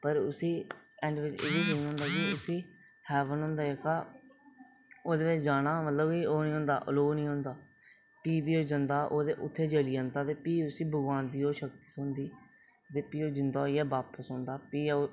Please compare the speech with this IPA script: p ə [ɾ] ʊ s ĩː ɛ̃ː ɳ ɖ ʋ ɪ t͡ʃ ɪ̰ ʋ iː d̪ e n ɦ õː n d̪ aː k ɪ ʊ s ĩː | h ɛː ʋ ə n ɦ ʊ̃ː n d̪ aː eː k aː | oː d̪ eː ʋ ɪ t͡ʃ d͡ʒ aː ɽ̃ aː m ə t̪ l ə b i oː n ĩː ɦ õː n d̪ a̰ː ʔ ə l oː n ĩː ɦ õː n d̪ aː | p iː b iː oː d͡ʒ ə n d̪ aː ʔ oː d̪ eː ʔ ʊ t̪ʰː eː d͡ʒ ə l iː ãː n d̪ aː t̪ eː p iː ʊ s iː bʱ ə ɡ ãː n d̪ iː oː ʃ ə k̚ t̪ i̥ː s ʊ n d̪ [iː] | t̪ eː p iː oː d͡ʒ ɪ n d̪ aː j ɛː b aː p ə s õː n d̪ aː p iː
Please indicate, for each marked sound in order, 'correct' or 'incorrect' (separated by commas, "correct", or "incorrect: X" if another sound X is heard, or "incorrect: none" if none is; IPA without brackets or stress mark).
correct, correct